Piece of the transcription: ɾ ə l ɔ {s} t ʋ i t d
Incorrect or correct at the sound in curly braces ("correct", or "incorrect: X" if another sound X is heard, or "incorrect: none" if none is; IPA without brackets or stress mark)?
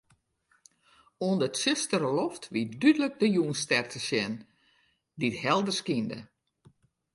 incorrect: f